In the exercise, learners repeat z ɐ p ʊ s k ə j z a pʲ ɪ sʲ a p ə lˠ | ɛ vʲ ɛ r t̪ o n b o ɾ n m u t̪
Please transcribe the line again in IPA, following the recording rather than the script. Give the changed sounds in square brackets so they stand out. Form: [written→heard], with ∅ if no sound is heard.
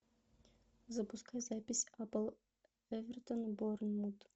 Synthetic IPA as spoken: z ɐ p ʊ s k [ə→a] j z a pʲ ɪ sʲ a p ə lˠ | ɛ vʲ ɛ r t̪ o n b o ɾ n m u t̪

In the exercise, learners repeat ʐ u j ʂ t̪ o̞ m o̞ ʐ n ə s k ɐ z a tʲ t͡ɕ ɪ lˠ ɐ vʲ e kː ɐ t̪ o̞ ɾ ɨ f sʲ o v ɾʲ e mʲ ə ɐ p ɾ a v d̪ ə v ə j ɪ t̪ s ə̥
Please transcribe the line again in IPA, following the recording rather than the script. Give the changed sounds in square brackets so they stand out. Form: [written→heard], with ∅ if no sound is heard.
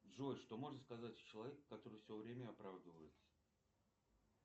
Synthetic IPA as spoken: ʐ [u→o] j ʂ t̪ o̞ m o̞ ʐ n ə s k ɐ z a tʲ t͡ɕ ɪ lˠ ɐ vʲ e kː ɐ t̪ o̞ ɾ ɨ f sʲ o v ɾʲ e mʲ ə ɐ p ɾ a v d̪ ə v ə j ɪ t̪ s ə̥

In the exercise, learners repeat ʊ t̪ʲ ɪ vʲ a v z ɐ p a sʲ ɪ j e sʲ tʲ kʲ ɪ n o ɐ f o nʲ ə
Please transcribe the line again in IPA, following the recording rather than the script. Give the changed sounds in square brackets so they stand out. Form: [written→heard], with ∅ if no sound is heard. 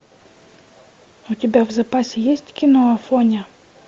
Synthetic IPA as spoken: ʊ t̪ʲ ɪ [vʲ→bʲ] a v z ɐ p a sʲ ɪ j e sʲ tʲ kʲ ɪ n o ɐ f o nʲ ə

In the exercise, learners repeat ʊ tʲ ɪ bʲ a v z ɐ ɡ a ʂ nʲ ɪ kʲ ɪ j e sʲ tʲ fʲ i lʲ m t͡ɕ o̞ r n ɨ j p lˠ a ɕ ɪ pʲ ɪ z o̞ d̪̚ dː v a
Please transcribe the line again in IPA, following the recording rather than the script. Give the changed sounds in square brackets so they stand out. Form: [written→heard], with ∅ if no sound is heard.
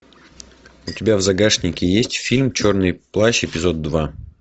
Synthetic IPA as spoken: ʊ tʲ ɪ bʲ a v z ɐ ɡ a ʂ nʲ ɪ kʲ ɪ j e sʲ tʲ fʲ i lʲ m t͡ɕ o̞ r n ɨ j p lˠ a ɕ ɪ pʲ ɪ z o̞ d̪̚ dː v a

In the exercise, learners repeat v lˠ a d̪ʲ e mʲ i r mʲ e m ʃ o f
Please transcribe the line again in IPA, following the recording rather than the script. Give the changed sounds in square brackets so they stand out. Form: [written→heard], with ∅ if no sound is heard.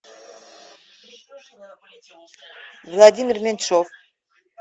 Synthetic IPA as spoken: v lˠ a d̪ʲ [e→i] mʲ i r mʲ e [m→n] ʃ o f

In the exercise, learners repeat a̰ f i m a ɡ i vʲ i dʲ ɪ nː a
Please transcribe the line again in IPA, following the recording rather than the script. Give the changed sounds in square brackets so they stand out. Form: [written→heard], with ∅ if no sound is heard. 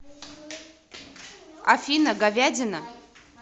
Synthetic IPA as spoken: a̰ f i [m→n] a ɡ [i→a] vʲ [i→a] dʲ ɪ [nː→n] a

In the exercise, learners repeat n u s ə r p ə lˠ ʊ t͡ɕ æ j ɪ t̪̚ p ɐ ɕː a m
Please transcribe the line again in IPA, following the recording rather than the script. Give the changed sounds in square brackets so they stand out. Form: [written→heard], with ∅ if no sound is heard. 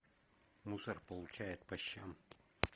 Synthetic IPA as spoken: [n→m] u s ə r p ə lˠ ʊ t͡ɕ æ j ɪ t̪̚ p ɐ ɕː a m

